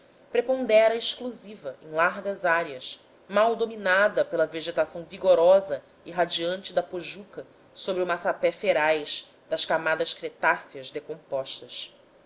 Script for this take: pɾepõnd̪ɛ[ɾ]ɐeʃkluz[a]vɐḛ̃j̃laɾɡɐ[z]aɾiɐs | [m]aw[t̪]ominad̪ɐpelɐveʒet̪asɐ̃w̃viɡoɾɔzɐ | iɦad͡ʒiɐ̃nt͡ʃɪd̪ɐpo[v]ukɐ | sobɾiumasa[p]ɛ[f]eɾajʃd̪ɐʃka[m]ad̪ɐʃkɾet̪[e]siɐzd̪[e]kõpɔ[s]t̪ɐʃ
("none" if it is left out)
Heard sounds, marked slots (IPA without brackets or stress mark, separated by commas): ɾ, i, z, m, d̪, ʒ, p, f, m, a, e, ʃ